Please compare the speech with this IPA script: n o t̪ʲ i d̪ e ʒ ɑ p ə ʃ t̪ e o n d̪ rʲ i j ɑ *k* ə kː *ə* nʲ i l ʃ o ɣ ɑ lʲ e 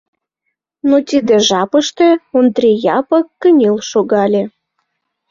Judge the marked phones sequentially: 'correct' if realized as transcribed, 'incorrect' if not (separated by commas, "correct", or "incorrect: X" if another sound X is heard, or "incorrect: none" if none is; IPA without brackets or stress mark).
incorrect: p, correct